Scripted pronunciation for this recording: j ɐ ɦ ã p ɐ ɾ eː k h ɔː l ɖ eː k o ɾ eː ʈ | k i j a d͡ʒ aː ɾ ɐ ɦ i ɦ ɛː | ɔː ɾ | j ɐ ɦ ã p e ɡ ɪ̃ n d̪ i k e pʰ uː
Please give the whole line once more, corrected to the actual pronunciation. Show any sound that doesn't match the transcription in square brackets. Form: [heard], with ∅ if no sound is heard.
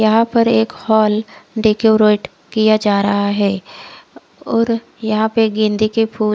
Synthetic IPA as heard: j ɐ ɦ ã p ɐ ɾ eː k h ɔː l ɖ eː k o ɾ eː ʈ | k i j a d͡ʒ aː ɾ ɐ ɦ [a] ɦ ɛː | ɔː ɾ | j ɐ ɦ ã p e ɡ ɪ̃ n d̪ i k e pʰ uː